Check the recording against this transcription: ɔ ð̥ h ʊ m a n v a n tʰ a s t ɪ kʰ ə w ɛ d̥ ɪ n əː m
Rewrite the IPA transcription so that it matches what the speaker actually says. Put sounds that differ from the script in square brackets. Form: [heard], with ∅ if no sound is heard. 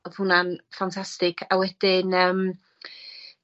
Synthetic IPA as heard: ɔ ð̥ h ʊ [n] a n [f] a n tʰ a s t ɪ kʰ [a] w ɛ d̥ ɪ n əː m